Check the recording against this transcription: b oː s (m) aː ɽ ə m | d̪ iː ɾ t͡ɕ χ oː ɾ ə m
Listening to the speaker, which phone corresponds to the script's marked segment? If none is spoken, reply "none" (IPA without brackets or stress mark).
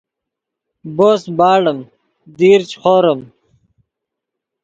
b